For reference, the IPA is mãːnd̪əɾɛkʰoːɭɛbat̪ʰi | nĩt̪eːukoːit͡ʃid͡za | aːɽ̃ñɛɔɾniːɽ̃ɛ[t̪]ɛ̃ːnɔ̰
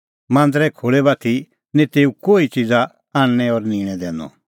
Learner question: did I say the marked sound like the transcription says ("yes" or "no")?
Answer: no